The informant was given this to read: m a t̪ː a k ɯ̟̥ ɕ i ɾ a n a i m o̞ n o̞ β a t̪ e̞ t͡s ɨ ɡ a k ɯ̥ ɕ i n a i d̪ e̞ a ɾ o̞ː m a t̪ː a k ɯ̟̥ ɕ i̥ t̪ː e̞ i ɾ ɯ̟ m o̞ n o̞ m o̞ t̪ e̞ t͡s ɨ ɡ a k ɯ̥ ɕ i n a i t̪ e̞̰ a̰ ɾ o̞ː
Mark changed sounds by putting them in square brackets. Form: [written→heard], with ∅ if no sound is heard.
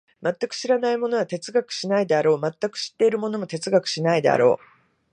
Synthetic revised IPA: m a t̪ː a k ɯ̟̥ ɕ i ɾ a n a i m o̞ n o̞ β a t̪ e̞ t͡s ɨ ɡ a k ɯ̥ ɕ i n a i d̪ e̞ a ɾ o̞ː m a t̪ː a k ɯ̟̥ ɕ i̥ t̪ː e̞ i ɾ ɯ̟ m o̞ n o̞ m o̞ t̪ e̞ t͡s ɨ ɡ a k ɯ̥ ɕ i n a i [t̪→d̪] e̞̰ a̰ ɾ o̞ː

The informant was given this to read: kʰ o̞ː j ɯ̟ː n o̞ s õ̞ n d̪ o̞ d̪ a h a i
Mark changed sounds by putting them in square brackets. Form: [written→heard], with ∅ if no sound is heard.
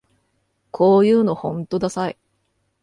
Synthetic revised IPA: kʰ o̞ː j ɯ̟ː n o̞ [s→h] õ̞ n [d̪→t̪] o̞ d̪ a [h→s] a i

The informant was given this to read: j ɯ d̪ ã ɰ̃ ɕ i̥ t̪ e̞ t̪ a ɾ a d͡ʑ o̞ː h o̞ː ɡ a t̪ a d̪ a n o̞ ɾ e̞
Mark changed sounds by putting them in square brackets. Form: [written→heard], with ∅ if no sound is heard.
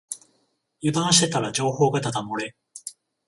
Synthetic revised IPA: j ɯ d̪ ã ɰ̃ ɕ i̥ t̪ e̞ t̪ a ɾ a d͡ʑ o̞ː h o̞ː ɡ a t̪ a [d̪→t̪] a [n→m] o̞ ɾ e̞

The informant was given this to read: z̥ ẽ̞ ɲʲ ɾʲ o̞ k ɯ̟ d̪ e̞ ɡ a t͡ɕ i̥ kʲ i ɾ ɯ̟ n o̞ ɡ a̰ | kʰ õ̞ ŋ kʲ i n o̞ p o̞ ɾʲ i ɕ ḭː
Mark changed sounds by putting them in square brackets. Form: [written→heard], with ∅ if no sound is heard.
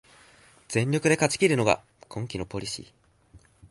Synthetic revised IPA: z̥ ẽ̞ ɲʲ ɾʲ o̞ k ɯ̟ d̪ e̞ [ɡ→k] a t͡ɕ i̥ kʲ i ɾ ɯ̟ n o̞ ɡ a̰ | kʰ õ̞ ŋ kʲ i n o̞ p o̞ ɾʲ i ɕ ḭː

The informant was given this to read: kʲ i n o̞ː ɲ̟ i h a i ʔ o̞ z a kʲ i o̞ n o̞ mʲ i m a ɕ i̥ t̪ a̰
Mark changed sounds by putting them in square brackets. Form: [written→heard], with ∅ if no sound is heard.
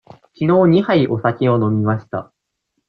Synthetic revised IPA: kʲ i n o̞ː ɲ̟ i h a i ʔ o̞ [z→s] a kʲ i o̞ n o̞ mʲ i m a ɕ i̥ t̪ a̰

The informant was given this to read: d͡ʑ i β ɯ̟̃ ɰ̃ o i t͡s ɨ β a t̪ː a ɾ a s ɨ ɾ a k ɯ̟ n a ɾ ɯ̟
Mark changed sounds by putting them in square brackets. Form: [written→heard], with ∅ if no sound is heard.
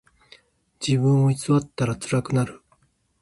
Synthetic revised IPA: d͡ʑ i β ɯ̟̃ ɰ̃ o i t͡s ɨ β a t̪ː a ɾ a [s→t͡s] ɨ ɾ a k ɯ̟ n a ɾ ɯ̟

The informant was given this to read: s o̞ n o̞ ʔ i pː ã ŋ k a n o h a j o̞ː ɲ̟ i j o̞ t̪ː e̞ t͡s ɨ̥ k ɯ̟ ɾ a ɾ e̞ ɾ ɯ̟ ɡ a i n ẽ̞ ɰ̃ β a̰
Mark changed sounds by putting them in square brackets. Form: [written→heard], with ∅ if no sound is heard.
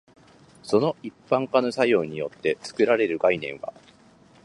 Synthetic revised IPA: s o̞ n o̞ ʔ i pː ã ŋ k a n o [h→s] a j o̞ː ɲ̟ i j o̞ t̪ː e̞ t͡s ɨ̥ k ɯ̟ ɾ a ɾ e̞ ɾ ɯ̟ ɡ a i n ẽ̞ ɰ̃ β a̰

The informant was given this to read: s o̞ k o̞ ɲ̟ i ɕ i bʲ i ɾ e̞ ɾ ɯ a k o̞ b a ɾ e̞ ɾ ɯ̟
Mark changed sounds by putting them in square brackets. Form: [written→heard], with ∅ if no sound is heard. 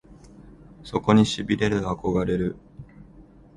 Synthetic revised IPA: s o̞ k o̞ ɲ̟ i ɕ i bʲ i ɾ e̞ ɾ ɯ a k o̞ [b→ɡ] a ɾ e̞ ɾ ɯ̟

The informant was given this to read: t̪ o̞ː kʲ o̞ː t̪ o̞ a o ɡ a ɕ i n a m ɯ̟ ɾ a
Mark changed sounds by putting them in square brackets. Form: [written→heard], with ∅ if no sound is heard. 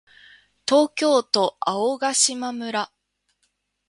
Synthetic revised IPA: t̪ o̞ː kʲ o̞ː t̪ o̞ a o ɡ a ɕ i [n→m] a m ɯ̟ ɾ a

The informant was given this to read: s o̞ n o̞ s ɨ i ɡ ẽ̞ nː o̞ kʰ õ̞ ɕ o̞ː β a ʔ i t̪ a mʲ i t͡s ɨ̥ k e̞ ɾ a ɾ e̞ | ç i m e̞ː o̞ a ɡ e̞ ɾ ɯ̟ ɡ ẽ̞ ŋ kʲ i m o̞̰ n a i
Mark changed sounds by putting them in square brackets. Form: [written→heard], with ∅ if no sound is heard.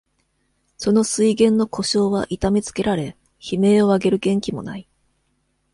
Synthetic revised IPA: s o̞ n o̞ s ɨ i ɡ ẽ̞ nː o̞ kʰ [õ̞→o̞] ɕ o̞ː β a ʔ i t̪ a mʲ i t͡s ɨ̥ k e̞ ɾ a ɾ e̞ | ç i m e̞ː o̞ a ɡ e̞ ɾ ɯ̟ ɡ ẽ̞ ŋ kʲ i m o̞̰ n a i

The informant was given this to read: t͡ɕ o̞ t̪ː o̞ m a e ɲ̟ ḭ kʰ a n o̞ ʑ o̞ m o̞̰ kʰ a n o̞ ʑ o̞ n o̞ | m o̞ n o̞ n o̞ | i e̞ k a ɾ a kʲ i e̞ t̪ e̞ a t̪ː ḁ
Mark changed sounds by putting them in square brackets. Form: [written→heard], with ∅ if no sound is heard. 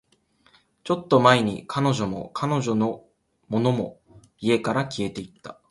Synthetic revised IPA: t͡ɕ o̞ t̪ː o̞ m a e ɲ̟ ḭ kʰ a n o̞ ʑ o̞ m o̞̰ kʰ a n o̞ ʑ o̞ n o̞ | m o̞ n o̞ [n→m] o̞ | i e̞ k a ɾ a kʲ i e̞ t̪ e̞ [a→i] t̪ː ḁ

